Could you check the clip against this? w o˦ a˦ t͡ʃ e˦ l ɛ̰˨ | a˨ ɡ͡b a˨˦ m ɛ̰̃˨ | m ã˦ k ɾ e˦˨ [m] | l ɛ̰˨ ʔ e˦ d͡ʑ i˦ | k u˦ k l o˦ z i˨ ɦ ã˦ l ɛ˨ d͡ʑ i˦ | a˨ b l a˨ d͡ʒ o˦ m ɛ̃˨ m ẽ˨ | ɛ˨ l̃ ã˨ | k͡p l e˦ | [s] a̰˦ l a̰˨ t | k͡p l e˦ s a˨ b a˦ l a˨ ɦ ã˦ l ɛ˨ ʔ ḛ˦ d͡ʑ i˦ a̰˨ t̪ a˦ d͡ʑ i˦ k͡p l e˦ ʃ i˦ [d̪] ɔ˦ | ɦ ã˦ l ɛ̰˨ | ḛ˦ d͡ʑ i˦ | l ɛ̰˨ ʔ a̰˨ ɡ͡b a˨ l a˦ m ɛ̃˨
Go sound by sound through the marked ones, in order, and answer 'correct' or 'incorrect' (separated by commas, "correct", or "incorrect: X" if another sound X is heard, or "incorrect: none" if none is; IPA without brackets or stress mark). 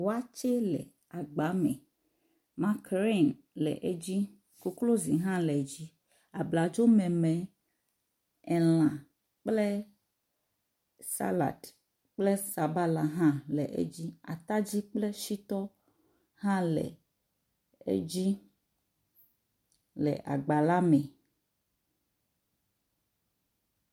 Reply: incorrect: n, correct, incorrect: t̪